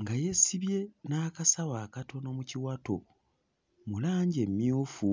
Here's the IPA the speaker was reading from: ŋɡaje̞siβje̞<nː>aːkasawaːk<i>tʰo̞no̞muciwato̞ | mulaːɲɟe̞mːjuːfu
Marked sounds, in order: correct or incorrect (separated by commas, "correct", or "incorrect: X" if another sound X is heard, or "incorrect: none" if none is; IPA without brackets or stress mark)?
incorrect: n, incorrect: a